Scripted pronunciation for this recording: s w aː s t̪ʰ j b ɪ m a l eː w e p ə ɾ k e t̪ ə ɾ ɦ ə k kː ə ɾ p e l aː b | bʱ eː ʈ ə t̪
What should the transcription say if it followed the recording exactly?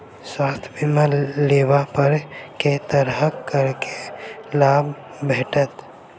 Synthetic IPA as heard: s w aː s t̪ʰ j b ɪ m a l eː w a p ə ɾ k e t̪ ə ɾ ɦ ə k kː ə ɾ k e l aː b | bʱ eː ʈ ə t̪